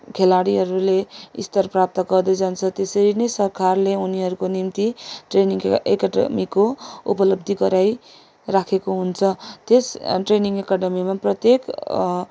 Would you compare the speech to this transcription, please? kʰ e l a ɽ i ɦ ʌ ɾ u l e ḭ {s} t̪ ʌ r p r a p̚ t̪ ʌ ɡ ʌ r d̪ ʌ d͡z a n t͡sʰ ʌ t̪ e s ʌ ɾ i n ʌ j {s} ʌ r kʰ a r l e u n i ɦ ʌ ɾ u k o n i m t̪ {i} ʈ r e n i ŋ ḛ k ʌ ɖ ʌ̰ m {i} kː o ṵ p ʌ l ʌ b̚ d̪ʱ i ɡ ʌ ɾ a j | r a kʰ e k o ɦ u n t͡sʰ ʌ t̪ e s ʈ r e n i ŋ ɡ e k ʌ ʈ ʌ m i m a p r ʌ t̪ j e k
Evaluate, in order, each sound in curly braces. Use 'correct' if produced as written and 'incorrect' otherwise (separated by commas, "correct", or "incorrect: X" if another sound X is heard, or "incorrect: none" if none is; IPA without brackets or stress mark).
correct, correct, correct, correct